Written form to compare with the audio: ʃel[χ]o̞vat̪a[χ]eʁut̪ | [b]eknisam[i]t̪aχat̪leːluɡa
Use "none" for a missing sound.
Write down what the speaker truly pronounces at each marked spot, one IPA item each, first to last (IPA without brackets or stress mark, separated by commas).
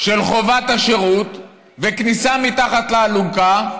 χ, ʃ, v, i